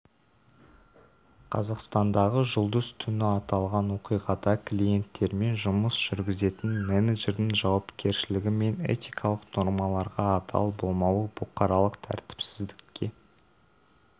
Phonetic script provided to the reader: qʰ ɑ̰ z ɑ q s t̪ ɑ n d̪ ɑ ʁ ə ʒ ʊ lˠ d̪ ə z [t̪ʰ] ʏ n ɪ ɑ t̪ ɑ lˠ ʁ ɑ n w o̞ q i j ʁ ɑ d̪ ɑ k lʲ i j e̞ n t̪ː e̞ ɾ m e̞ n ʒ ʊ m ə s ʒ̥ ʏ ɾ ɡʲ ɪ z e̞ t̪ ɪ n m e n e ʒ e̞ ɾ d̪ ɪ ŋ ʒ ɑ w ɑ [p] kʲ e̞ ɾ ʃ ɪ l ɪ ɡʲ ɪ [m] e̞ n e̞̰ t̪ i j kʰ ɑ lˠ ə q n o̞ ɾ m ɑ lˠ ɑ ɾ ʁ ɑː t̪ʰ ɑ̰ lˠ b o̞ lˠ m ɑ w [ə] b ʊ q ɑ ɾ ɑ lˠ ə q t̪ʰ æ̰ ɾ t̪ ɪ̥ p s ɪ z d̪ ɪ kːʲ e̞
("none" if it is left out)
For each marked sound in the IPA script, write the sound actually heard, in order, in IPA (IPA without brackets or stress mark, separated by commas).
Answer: t̪ʰ, p, m, ə